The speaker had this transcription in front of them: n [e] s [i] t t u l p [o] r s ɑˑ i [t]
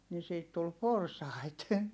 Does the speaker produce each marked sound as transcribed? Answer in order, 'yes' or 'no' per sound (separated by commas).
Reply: no, no, yes, yes